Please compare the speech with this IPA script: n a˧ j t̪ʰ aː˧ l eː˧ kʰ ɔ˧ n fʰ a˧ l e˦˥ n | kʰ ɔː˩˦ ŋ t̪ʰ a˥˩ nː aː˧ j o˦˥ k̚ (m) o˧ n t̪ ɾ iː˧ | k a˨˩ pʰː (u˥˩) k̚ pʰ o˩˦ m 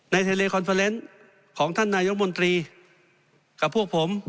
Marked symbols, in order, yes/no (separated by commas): yes, yes